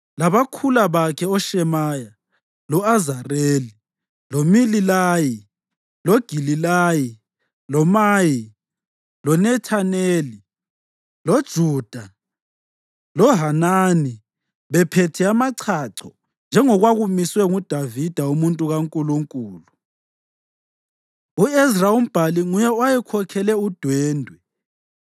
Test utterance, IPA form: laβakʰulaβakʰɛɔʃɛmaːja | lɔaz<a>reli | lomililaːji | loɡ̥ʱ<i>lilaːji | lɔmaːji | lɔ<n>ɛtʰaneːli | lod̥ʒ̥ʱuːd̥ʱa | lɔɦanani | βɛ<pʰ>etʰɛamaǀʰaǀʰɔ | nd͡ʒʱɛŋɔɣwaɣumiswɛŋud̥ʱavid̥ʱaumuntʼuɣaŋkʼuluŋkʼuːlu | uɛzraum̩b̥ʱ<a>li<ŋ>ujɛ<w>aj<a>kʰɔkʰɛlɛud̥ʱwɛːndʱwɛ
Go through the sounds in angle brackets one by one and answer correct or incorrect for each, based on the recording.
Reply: correct, correct, correct, correct, correct, correct, correct, incorrect

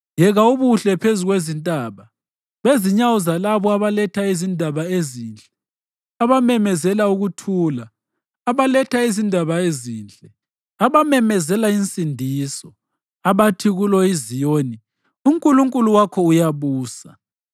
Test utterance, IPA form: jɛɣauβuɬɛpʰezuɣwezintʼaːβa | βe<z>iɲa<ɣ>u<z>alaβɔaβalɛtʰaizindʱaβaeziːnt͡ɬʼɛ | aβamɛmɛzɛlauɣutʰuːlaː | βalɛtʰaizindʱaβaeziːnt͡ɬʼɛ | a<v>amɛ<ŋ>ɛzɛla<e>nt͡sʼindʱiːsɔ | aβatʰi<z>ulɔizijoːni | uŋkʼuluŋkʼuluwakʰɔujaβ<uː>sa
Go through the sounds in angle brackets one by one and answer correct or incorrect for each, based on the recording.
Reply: correct, incorrect, correct, incorrect, incorrect, incorrect, incorrect, correct

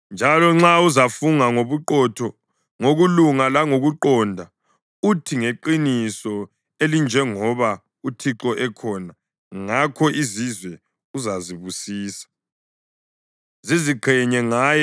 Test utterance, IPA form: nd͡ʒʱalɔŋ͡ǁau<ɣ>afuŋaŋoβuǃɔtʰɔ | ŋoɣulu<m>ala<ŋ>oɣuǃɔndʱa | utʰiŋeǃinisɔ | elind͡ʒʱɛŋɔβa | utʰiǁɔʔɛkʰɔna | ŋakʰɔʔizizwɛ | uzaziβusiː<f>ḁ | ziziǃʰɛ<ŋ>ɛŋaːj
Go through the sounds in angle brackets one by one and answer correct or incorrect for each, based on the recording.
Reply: incorrect, incorrect, correct, incorrect, incorrect

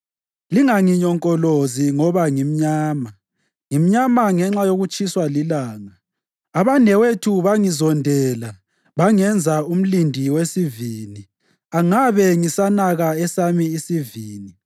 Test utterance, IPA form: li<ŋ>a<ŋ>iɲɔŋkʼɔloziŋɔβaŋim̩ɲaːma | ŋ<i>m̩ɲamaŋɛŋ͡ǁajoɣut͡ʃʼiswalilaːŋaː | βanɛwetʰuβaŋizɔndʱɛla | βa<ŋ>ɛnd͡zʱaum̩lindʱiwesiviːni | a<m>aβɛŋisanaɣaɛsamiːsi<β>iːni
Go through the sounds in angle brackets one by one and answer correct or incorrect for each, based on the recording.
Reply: correct, correct, correct, correct, incorrect, incorrect

